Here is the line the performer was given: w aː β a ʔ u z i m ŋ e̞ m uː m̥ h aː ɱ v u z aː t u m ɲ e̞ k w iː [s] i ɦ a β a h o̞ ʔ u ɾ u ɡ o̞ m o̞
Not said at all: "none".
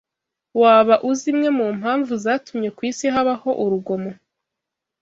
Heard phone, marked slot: s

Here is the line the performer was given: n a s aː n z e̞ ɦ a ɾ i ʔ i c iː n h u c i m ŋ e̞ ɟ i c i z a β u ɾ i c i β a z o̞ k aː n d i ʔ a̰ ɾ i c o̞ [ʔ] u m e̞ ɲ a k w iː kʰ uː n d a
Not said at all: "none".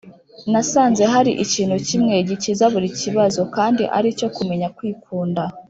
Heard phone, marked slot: k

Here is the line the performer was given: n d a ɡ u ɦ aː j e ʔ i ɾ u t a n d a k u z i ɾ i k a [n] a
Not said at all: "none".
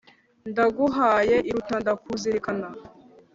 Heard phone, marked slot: n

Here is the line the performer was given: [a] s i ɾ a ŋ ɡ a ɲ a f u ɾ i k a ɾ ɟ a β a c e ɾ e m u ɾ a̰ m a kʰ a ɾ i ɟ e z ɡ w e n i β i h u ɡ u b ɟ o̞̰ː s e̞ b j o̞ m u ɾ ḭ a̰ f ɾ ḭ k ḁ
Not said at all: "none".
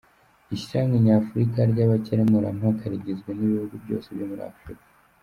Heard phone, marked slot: i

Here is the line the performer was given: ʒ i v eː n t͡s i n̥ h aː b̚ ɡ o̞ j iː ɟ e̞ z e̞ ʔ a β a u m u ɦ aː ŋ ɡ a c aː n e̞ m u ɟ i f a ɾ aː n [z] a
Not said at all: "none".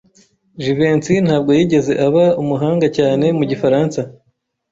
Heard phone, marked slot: s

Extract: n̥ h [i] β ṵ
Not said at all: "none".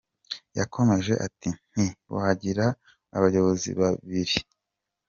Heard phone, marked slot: i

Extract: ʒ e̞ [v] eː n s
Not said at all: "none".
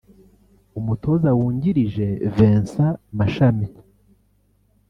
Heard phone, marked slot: v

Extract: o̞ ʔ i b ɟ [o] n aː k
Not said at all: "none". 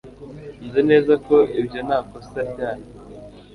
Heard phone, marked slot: o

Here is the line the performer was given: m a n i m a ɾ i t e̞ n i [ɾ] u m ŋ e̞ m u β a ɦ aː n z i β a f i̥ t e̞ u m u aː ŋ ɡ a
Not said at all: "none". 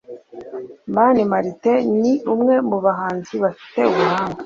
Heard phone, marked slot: none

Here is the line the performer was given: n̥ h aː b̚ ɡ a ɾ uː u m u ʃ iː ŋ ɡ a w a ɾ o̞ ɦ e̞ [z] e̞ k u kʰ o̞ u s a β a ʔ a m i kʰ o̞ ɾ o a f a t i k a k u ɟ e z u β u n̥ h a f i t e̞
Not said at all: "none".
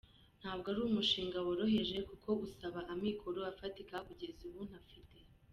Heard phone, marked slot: ʒ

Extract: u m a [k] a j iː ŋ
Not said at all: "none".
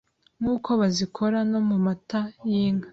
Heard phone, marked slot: t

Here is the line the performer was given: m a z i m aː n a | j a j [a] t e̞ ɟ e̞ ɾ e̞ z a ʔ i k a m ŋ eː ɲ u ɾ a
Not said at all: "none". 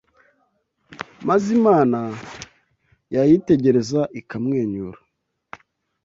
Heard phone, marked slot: i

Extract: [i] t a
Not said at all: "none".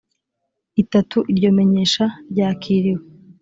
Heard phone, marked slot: i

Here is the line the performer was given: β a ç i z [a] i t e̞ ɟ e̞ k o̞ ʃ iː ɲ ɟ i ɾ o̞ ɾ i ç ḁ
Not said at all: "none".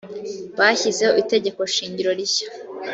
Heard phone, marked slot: e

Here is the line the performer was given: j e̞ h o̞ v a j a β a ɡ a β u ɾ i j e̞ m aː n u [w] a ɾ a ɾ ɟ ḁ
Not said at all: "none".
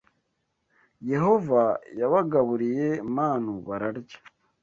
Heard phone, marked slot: β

